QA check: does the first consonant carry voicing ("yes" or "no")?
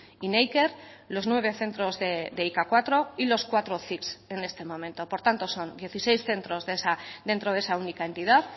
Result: yes